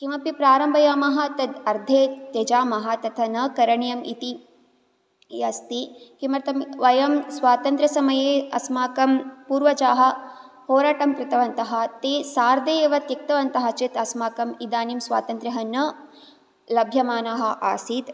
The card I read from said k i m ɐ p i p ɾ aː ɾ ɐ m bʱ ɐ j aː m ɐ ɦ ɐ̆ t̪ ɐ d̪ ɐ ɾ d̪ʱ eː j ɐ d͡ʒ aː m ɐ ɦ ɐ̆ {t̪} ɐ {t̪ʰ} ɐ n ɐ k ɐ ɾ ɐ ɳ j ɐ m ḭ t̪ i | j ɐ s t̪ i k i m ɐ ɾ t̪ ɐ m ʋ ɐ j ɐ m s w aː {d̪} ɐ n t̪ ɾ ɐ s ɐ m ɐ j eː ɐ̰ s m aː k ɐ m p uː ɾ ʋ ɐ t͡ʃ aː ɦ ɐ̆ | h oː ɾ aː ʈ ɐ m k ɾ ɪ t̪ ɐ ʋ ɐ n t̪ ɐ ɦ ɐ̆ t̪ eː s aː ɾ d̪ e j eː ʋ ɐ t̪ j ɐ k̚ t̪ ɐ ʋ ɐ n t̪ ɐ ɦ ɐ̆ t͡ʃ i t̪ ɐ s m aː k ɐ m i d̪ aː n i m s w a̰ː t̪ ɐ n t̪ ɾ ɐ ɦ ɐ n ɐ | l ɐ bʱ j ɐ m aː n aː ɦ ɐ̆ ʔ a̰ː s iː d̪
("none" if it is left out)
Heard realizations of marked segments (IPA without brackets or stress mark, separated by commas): t̪, t̪ʰ, t̪